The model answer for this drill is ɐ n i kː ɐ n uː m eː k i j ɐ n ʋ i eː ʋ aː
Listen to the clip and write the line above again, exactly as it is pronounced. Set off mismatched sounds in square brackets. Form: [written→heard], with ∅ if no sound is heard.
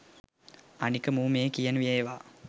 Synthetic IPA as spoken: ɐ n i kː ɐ [n→m] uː m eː k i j ɐ n ʋ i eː ʋ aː